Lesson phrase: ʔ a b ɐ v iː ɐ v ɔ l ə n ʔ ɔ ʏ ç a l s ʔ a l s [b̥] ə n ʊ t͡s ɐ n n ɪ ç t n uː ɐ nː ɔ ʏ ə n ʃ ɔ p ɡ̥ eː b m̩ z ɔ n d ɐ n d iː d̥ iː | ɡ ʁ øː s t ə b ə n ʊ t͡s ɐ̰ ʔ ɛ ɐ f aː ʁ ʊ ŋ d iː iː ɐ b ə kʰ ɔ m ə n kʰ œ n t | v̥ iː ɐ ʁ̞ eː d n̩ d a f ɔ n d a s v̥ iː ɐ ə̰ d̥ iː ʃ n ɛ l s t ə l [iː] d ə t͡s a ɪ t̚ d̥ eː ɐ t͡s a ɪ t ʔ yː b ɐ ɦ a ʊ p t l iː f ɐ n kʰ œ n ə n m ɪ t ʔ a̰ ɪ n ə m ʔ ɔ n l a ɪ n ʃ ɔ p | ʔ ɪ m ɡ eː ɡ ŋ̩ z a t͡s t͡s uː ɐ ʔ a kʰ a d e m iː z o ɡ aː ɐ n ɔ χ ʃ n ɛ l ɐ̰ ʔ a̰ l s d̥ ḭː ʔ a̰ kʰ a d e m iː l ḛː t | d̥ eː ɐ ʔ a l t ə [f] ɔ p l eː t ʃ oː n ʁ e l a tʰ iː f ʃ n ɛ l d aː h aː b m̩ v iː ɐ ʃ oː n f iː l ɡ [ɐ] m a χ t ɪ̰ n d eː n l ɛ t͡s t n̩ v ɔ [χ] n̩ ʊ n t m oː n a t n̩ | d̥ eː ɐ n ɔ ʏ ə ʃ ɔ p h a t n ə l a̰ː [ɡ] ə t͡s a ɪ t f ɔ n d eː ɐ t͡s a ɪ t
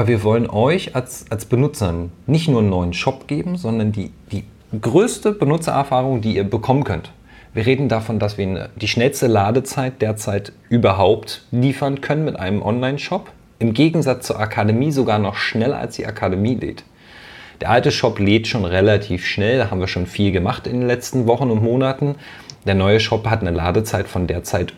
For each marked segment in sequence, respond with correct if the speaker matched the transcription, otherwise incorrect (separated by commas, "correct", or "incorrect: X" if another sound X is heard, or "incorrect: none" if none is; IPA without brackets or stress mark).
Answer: correct, incorrect: aː, incorrect: ʃ, incorrect: ə, correct, incorrect: d